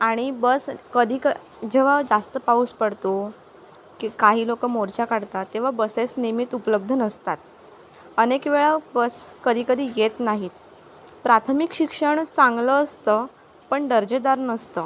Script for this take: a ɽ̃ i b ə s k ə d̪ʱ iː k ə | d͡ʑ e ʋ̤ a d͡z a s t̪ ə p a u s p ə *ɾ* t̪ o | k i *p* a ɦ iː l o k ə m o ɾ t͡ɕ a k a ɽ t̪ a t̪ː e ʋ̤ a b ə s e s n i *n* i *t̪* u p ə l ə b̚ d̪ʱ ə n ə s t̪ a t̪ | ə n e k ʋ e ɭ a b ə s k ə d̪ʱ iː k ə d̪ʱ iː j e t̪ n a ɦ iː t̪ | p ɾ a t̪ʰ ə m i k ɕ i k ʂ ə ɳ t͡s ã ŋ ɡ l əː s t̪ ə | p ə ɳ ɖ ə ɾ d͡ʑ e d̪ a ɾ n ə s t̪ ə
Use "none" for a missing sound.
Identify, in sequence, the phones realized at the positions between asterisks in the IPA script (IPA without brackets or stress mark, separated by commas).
ɽ, k, m, t̪